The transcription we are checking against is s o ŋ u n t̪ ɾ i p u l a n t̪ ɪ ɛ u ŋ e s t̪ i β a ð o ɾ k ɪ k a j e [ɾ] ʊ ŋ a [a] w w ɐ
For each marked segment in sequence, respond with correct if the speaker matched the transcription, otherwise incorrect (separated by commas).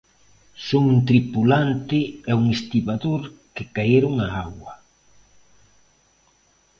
correct, correct